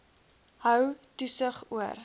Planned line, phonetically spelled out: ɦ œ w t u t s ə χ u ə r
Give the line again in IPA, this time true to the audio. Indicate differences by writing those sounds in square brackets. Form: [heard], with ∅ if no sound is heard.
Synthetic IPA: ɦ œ w t u [∅] s ə χ u ə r

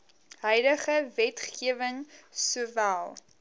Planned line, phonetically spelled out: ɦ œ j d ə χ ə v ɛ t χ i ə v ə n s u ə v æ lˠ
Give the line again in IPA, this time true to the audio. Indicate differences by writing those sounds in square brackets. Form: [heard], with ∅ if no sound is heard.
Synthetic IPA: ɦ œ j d ə χ ə v ɛ t χ i ə v ə [ŋ] s u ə v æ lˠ

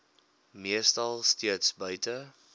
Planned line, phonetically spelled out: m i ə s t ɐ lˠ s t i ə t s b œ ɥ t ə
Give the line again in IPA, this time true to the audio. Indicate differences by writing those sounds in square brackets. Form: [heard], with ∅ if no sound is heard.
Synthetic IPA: m i ə s t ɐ lˠ s t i ə t s b œ ɥ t ə

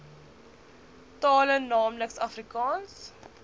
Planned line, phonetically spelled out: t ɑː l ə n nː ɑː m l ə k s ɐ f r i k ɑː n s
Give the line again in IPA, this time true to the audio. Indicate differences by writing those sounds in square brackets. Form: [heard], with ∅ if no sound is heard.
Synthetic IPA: t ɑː l ə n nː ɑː m l ə k s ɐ f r i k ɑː n s

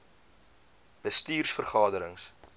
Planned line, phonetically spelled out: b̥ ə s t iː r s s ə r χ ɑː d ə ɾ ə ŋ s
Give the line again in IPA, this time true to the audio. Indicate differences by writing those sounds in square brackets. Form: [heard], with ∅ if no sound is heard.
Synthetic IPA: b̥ ə s t iː r s [f] ə r χ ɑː d ə ɾ ə ŋ s

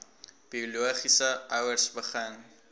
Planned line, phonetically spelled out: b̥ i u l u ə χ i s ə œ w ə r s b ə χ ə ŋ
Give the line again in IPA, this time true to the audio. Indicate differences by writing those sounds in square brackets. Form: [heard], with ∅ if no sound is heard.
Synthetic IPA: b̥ i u l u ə χ i s ə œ w ə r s b ə χ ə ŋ

